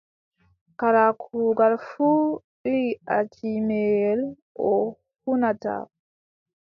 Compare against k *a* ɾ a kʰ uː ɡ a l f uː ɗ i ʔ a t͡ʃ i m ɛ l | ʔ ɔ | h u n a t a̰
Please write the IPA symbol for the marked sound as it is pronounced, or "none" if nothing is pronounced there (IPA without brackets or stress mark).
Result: a